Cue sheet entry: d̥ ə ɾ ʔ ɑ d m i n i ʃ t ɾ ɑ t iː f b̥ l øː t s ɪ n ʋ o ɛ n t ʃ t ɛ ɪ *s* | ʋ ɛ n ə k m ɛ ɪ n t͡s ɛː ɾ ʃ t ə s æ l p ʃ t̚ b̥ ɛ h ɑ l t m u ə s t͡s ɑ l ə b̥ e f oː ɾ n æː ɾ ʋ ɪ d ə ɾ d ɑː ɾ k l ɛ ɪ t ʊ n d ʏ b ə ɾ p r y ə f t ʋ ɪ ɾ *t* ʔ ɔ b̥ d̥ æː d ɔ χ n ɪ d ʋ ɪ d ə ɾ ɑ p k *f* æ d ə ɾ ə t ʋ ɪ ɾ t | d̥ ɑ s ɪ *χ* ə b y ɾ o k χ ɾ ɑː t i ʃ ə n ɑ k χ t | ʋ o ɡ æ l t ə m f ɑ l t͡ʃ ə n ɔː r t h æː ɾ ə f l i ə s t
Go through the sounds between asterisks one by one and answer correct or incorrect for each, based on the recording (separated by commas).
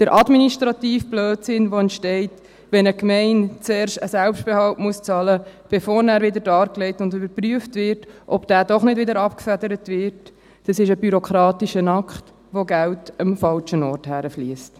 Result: incorrect, correct, correct, incorrect